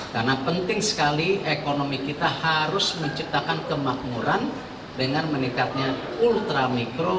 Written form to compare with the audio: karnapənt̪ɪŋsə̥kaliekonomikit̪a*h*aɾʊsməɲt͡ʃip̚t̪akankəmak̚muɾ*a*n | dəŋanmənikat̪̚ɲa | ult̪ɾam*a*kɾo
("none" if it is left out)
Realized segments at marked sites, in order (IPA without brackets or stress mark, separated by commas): h, a, i